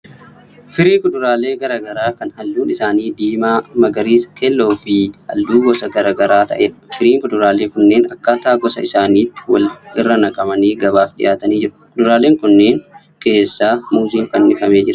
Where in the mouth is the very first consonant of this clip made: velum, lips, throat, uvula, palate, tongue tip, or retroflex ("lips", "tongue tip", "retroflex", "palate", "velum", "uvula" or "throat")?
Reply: lips